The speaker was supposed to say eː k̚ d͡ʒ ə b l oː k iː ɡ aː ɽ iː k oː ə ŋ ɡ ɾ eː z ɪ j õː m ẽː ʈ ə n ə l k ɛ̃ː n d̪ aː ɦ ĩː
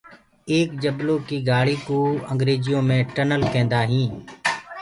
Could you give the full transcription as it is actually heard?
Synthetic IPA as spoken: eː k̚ d͡ʒ ə b l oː k iː ɡ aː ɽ iː k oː ə ŋ ɡ ɾ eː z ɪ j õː m ẽː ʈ ə n ə l k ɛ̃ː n d̪ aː ɦ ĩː